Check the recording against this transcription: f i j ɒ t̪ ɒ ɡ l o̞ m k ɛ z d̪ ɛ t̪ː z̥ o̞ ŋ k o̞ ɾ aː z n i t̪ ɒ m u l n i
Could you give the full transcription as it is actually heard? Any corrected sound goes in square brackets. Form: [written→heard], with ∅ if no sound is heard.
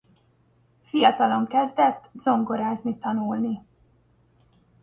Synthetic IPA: f i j ɒ t̪ ɒ [ɡ→∅] l o̞ [m→ŋ] k ɛ z d̪ ɛ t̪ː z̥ o̞ ŋ [k→ɡ] o̞ ɾ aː z n i t̪ ɒ [m→n] u l n i